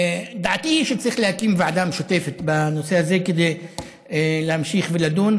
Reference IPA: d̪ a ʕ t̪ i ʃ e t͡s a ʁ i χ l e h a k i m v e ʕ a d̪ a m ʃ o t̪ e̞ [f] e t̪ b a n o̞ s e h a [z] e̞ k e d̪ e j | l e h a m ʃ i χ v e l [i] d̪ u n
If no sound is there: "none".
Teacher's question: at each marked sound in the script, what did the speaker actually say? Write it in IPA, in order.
f, z, a

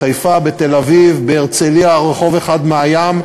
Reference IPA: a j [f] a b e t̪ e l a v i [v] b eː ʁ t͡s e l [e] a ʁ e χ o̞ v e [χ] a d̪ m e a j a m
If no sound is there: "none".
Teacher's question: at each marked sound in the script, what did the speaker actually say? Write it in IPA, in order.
f, v, i, χ

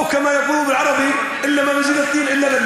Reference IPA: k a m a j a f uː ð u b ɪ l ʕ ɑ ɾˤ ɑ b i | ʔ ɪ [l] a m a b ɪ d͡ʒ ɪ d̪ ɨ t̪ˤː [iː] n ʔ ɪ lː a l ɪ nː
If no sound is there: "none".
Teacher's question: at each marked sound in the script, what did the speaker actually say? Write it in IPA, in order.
lː, iː

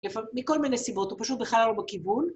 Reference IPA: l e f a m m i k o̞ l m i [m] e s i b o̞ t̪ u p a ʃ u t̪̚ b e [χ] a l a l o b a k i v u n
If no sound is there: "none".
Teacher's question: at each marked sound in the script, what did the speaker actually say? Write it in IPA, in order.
n, χ

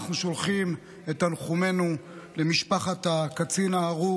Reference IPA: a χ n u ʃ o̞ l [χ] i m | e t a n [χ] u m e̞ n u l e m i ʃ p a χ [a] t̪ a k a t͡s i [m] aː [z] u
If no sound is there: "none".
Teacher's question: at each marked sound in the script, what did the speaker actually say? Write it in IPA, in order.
χ, χ, a, n, ʁ

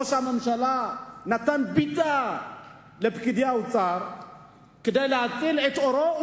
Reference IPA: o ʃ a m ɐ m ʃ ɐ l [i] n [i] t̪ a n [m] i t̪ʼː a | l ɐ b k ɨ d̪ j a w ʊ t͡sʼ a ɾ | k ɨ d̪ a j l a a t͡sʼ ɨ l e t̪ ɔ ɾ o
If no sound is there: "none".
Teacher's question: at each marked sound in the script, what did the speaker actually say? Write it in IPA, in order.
a, a, b

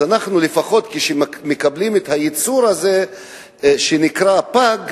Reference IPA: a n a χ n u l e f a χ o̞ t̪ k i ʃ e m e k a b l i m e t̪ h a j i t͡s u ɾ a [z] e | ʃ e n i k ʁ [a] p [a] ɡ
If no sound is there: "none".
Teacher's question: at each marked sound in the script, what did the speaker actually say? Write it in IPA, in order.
z, a, a

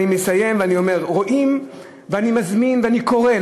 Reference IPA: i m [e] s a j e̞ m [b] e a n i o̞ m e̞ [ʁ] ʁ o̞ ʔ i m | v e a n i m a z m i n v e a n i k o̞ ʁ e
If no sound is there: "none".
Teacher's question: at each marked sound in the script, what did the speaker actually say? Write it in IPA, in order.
e, v, ʁ

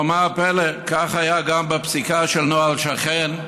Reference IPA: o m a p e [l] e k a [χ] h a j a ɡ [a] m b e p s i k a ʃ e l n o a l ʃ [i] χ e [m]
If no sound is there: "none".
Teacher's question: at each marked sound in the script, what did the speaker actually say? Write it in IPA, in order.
l, χ, a, a, n

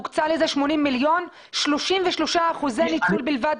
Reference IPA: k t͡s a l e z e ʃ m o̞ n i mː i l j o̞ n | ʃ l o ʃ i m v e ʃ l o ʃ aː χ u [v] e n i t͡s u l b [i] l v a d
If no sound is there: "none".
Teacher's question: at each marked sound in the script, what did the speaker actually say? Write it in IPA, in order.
z, i

